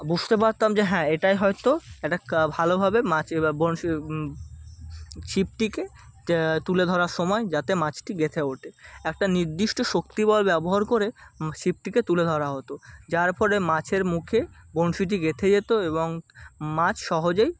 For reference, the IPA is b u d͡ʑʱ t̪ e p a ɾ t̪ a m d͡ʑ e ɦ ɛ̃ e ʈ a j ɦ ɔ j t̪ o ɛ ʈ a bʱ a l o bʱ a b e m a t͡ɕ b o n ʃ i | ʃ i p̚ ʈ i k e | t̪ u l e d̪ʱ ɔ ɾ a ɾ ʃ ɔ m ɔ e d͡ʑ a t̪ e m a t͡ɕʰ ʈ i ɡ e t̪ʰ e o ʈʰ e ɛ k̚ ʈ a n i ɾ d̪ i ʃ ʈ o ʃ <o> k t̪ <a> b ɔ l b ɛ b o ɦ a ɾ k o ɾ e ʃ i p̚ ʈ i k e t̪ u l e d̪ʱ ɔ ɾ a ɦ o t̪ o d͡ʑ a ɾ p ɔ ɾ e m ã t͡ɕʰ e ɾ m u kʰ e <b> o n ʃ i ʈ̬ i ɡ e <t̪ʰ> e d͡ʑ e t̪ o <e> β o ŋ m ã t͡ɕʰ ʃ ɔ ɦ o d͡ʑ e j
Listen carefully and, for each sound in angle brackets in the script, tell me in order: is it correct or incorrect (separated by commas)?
correct, incorrect, correct, correct, correct